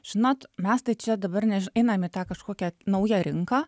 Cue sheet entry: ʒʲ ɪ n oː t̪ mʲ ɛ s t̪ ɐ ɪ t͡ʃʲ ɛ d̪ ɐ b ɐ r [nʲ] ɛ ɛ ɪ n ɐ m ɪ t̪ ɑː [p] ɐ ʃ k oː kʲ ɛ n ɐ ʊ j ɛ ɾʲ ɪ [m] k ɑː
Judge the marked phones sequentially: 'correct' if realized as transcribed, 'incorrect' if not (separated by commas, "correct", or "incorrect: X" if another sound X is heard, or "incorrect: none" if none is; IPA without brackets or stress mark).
correct, incorrect: k, incorrect: ŋ